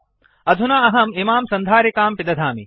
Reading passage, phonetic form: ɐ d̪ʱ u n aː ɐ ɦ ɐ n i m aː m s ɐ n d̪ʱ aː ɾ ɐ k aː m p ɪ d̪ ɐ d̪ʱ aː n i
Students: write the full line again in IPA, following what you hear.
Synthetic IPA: ɐ d̪ʱ u n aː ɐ ɦ ɐ m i m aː m s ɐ n d̪ʱ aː ɾ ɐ k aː m p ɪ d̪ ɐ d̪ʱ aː m i